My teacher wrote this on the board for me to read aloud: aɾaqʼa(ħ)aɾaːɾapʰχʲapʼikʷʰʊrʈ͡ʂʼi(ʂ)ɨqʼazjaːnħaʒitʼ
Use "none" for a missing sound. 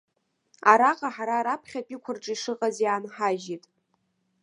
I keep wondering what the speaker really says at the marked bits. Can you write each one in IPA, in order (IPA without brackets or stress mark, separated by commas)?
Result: ħ, ʂ